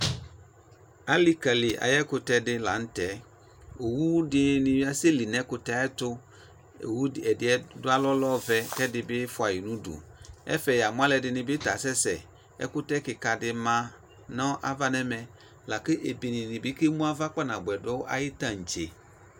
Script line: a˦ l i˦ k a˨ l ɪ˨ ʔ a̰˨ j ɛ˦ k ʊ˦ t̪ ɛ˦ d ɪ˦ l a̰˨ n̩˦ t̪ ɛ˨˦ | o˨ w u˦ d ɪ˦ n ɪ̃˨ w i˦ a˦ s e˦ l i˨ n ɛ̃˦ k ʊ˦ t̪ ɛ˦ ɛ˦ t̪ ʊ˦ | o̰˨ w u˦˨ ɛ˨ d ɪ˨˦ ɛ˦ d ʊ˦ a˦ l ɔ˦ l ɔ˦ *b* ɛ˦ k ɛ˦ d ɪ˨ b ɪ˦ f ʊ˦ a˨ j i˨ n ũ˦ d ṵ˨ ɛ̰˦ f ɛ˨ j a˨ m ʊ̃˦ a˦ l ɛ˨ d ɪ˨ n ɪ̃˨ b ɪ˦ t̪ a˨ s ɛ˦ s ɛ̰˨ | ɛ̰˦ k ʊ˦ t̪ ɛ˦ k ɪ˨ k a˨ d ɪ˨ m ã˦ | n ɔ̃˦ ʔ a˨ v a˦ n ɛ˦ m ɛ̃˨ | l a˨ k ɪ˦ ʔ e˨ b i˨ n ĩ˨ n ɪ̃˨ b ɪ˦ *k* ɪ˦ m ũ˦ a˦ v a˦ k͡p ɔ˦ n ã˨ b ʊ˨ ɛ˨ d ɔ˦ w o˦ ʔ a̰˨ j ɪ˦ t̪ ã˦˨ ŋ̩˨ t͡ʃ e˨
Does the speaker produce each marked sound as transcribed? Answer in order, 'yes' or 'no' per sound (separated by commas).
no, yes